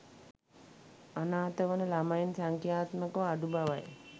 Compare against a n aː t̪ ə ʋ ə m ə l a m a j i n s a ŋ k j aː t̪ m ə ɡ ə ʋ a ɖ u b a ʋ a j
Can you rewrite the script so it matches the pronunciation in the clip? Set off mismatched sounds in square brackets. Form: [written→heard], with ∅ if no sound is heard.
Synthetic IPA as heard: a n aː t̪ ə ʋ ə [m→n] ə l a m a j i n s a ŋ k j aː t̪ m ə [ɡ→k] ə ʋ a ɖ u b a ʋ a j

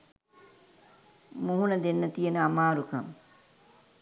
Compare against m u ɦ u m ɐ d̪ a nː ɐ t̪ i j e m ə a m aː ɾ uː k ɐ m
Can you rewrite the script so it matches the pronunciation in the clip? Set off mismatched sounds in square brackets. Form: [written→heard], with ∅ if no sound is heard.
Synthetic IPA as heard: m u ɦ u [m→n] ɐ d̪ [a→e] nː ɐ t̪ i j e [m→n] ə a m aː ɾ [uː→u] k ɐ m

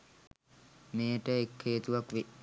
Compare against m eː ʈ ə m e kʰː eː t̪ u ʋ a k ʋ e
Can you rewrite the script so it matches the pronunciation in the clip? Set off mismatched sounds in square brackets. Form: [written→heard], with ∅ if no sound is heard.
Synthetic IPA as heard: m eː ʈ ə [m→∅] e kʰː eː t̪ u ʋ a k ʋ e

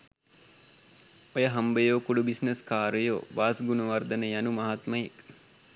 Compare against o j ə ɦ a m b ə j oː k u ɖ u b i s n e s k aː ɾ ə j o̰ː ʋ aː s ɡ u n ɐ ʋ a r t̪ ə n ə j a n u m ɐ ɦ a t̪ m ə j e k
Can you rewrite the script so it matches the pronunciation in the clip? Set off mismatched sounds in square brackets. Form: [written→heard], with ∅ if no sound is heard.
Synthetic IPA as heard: o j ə ɦ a m b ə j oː k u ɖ u b i s n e s k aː ɾ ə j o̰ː ʋ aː s ɡ u n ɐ ʋ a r [t̪→d̪] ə n ə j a n u m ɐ ɦ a t̪ m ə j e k

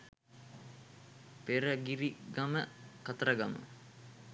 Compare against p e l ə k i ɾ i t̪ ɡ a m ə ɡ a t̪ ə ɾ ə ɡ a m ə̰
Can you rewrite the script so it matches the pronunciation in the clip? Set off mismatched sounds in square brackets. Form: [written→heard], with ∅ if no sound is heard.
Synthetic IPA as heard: p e [l→ɾ] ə [k→ɡ] i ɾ i [t̪→∅] ɡ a m ə [ɡ→k] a t̪ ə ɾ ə ɡ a m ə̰

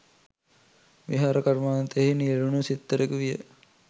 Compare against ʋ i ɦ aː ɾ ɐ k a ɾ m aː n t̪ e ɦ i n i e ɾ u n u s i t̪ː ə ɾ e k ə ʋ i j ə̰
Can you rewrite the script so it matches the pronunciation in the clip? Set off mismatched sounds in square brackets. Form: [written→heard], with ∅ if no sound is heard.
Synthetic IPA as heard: ʋ i ɦ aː ɾ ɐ k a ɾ m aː n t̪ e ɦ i n i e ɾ u n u s i t̪ː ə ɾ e k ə ʋ i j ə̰

